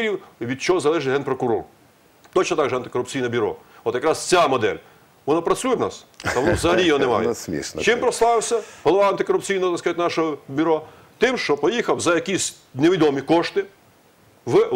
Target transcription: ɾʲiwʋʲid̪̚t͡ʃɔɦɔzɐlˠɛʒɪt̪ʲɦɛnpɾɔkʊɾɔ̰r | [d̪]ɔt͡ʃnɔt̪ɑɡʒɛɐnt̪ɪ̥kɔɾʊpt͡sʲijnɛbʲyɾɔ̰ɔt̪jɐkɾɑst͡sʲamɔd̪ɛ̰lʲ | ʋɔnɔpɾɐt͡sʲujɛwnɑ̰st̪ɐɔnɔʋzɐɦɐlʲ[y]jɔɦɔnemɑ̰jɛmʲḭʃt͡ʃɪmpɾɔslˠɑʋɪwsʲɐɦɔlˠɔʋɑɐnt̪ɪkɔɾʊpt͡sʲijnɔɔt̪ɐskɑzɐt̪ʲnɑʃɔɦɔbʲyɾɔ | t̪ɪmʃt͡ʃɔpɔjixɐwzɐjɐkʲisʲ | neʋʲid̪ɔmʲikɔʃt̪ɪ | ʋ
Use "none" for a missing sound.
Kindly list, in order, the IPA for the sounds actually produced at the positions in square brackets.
t̪, i

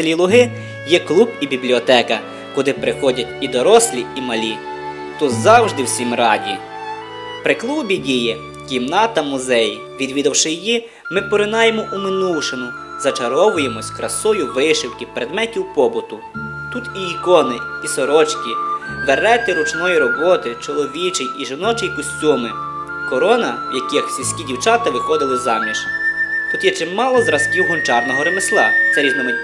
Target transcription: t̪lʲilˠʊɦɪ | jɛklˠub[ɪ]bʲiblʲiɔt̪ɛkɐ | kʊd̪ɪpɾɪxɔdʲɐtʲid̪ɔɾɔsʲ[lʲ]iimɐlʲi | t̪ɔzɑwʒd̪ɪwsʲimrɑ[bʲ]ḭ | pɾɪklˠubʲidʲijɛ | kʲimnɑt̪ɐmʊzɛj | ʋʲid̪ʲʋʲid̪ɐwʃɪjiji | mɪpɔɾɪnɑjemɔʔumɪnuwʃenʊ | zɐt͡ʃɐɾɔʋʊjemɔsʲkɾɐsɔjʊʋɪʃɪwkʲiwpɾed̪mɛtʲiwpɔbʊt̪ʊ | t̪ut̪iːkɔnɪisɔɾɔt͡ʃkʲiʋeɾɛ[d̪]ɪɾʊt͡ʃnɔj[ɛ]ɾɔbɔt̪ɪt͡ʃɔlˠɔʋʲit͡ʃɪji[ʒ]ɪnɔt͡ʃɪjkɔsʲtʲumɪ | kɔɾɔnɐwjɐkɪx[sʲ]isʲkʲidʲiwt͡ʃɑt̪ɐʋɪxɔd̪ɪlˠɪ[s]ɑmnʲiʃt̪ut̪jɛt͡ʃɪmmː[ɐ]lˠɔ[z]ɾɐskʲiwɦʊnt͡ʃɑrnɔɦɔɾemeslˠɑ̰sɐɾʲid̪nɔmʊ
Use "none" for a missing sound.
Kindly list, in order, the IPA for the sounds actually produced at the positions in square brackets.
i, lʲ, dʲ, t̪, i, ʒ, sʲ, z, ɑ, z

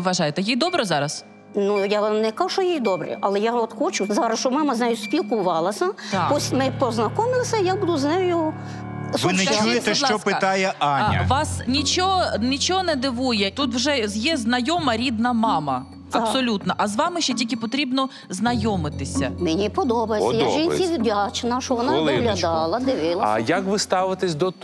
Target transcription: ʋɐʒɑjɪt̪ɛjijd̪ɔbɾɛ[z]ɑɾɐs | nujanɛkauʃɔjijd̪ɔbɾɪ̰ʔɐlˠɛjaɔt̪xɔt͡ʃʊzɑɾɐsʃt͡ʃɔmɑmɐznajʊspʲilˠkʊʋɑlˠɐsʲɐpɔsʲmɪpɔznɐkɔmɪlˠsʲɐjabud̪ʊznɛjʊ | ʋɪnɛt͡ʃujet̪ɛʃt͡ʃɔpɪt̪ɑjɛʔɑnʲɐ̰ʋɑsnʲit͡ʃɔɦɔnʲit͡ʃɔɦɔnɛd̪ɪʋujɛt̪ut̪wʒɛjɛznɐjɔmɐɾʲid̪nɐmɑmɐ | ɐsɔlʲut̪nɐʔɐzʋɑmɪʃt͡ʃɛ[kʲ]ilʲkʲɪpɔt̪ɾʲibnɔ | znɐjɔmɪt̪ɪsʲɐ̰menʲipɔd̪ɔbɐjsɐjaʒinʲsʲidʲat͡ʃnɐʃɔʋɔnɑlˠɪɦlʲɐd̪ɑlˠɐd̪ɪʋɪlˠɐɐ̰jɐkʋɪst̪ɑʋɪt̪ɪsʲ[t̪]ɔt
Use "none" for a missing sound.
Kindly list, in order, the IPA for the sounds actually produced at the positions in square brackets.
z, tʲ, d̪

